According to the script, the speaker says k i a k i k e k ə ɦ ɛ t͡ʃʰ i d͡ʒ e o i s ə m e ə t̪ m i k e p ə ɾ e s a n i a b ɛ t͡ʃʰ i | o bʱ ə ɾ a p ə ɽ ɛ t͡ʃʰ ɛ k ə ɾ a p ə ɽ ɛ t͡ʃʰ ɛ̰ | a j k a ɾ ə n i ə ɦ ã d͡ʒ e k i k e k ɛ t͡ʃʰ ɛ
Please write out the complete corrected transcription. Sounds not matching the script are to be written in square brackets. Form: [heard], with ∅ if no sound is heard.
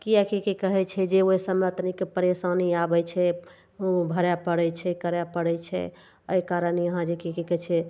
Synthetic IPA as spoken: k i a k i k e k ə ɦ ɛ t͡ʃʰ [ɛ] d͡ʒ e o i s ə m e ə t̪ [n] i k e p ə ɾ e s a n i a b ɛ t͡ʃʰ [ɛ] | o bʱ ə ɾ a p ə ɽ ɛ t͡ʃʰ ɛ k ə ɾ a p ə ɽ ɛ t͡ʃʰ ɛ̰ | [ə] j k a ɾ ə n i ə ɦ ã d͡ʒ e k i k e k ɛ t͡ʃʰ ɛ

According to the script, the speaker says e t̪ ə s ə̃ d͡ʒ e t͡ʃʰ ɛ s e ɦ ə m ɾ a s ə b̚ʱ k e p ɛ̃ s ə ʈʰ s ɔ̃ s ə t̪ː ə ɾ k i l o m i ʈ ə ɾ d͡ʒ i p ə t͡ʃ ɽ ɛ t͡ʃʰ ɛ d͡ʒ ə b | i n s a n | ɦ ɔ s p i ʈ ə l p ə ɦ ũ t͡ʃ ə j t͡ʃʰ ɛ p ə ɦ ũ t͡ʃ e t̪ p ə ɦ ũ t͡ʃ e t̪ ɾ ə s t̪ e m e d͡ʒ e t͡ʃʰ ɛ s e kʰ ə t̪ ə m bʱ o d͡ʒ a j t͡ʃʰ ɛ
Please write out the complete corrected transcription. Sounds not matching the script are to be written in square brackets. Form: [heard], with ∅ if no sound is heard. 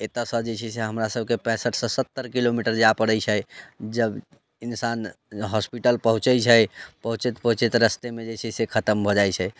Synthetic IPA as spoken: e t̪ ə s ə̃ d͡ʒ e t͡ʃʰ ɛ s e ɦ ə m ɾ a s ə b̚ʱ k e p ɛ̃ s ə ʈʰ s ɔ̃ s ə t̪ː ə ɾ k i l o m i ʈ ə ɾ d͡ʒ [a] p ə [∅] ɽ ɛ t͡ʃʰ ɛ d͡ʒ ə b | i n s a n | ɦ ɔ s p i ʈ ə l p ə ɦ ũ t͡ʃ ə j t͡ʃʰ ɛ p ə ɦ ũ t͡ʃ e t̪ p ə ɦ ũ t͡ʃ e t̪ ɾ ə s t̪ e m e d͡ʒ e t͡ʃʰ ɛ s e kʰ ə t̪ ə m bʱ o d͡ʒ a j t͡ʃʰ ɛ

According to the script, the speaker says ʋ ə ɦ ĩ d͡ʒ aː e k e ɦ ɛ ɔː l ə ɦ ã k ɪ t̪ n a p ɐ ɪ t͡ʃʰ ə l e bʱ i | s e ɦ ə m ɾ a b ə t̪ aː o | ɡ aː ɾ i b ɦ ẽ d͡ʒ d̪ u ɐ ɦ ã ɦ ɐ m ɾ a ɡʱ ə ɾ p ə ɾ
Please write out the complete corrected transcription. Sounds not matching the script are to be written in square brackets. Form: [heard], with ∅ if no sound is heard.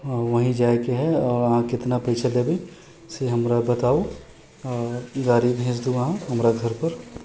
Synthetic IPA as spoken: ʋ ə ɦ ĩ d͡ʒ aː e k e ɦ ɛ ɔː [ɾ] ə ɦ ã k ɪ t̪ n a p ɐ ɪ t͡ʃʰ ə l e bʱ i | s e ɦ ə m ɾ a b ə t̪ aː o | ɡ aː ɾ i b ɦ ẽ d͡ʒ d̪ u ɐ ɦ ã ɦ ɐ m ɾ a ɡʱ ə ɾ p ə ɾ

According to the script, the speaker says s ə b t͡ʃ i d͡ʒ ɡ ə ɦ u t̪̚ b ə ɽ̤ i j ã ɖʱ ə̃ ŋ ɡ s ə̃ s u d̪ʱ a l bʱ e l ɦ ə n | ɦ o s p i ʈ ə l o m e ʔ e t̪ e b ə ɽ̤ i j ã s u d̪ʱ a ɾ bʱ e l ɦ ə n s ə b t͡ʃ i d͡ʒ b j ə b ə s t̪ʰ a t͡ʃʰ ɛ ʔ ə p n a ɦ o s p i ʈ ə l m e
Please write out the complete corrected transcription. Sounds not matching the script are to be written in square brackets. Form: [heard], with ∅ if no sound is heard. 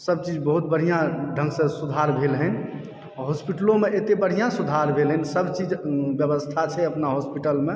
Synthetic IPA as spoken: s ə b t͡ʃ i d͡ʒ [b] ə ɦ u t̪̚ b ə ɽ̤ i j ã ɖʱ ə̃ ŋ ɡ s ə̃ s u d̪ʱ a [ɾ] bʱ e l ɦ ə n | ɦ o s p i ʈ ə l o m e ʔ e t̪ e b ə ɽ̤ i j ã s u d̪ʱ a ɾ bʱ e l ɦ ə n s ə b t͡ʃ i d͡ʒ b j ə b ə s t̪ʰ a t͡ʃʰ ɛ [∅] ə p n a ɦ o s p i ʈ ə l m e

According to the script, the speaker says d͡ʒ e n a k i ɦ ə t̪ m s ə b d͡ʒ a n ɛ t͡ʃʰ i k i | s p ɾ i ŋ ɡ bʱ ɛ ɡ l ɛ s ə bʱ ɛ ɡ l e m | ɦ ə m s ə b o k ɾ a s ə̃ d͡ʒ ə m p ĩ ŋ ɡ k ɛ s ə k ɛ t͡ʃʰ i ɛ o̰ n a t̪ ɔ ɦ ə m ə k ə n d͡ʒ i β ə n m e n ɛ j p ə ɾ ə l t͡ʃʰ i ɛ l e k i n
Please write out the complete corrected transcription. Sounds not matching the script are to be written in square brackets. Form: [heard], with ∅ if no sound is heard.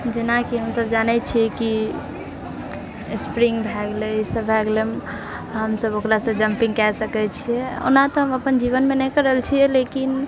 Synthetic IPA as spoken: d͡ʒ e n a k i ɦ ə [∅] m s ə b d͡ʒ a n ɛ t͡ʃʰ i k i | s p ɾ i ŋ ɡ bʱ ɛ ɡ l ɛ s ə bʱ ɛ ɡ l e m | ɦ ə m s ə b o k ɾ a s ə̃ d͡ʒ ə m p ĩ ŋ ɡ k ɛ s ə k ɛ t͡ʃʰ i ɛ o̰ n a t̪ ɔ ɦ ə m ə [p] ə n d͡ʒ i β ə n m e n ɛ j [k] ə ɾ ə l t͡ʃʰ i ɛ l e k i n

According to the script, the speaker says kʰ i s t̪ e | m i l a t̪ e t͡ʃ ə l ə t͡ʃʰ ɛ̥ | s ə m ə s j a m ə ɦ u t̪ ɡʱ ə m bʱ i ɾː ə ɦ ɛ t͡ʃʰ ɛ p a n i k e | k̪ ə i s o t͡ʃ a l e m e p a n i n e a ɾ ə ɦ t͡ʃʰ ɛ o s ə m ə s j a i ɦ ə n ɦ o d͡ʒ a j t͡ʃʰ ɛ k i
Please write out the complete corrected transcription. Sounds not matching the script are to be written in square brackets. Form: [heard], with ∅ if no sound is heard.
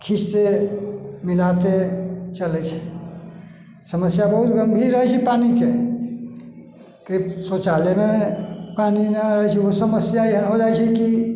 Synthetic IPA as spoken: kʰ i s t̪ e | m i l a t̪ e t͡ʃ ə l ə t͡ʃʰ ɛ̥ | s ə m ə s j a [b] ə ɦ u t̪ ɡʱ ə m bʱ i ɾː ə ɦ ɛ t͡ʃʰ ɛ p a n i k e | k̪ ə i s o t͡ʃ a l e m e p a n i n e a ɾ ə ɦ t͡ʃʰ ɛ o s ə m ə s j a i ɦ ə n ɦ o d͡ʒ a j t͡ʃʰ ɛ k i

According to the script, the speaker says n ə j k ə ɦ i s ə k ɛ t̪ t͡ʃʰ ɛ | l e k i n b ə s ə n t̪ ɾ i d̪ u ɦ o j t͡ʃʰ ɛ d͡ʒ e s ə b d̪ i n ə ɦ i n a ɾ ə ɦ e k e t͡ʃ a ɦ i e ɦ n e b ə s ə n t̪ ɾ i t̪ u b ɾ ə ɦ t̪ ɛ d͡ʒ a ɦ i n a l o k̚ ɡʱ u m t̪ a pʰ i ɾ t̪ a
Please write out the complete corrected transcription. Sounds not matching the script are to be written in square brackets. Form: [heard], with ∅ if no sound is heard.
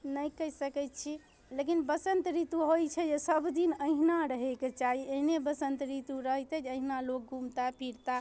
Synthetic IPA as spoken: n ə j k ə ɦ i s ə k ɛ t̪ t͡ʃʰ [i] | l e k i n b ə s ə n t̪ ɾ i [t̪] u ɦ o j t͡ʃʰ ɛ d͡ʒ e s ə b d̪ i n ə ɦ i n a ɾ ə ɦ e k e t͡ʃ a ɦ i e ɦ n e b ə s ə n t̪ ɾ i t̪ u [∅] ɾ ə ɦ t̪ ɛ d͡ʒ [ə] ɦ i n a l o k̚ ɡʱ u m t̪ a pʰ i ɾ t̪ a

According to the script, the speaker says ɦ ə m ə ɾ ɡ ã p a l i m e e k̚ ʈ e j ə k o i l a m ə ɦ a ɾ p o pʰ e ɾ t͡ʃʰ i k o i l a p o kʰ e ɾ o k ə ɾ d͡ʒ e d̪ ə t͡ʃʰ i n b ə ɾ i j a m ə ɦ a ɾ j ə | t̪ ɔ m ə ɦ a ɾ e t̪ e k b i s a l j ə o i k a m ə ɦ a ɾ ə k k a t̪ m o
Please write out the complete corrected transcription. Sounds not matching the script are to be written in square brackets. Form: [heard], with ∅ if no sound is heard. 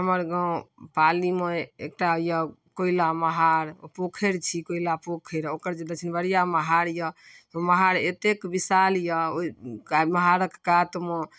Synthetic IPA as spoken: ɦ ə m ə ɾ ɡ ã p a l i m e e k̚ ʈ [a] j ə k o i l a m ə ɦ a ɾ p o [kʰ] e ɾ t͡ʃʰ i k o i l a p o kʰ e ɾ o k ə ɾ d͡ʒ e d̪ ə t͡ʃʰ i n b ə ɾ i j a m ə ɦ a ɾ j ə | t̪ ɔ m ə ɦ a ɾ e t̪ e k b i s a l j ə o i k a m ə ɦ a ɾ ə k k a t̪ m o

